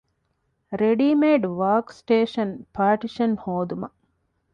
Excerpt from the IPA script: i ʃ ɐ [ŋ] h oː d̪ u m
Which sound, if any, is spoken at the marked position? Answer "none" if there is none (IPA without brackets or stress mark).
n